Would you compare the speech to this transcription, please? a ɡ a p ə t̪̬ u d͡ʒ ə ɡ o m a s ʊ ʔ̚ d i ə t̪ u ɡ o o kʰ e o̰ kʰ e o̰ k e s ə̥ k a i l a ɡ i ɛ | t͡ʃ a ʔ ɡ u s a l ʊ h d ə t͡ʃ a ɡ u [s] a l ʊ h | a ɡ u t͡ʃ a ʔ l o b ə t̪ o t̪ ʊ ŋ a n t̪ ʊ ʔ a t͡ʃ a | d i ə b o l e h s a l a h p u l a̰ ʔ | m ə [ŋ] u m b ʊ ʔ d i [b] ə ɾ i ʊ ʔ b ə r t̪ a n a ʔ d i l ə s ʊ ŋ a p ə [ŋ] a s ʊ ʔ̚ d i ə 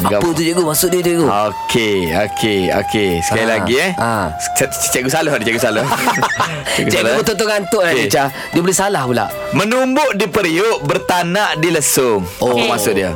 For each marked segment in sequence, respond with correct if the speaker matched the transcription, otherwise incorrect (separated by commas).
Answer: correct, incorrect, incorrect, incorrect